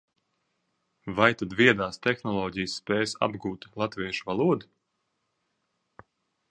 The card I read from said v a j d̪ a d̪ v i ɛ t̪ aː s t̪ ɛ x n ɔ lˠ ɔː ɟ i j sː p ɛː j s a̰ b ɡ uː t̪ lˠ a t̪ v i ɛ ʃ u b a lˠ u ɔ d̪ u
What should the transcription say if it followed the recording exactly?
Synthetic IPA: v a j t̪ a d̪ v i ɛ d̪ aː s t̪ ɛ x n ɔ lˠ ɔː ɟ i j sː p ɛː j s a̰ b ɡ uː t̪ lˠ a t̪ v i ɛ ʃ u v a lˠ u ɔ d̪ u